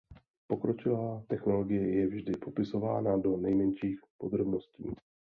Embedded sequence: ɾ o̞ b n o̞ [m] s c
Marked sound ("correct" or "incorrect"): incorrect